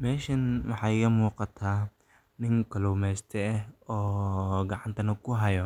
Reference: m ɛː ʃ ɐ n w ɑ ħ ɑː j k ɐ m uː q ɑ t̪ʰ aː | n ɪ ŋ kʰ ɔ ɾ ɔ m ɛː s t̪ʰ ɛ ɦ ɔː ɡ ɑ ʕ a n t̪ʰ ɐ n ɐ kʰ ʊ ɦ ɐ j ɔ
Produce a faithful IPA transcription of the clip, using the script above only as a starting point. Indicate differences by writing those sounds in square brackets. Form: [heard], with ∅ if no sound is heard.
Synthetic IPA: m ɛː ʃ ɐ n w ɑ ħ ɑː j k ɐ m uː q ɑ t̪ʰ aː | n ɪ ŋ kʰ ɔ [l] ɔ m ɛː s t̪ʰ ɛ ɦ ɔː ɡ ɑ ʕ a n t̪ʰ ɐ n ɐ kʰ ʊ ɦ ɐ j ɔ